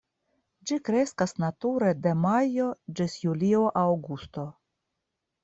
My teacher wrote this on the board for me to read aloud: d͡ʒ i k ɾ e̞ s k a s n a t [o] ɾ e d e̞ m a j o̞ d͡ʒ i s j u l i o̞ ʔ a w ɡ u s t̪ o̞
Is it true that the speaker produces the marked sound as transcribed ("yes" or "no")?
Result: no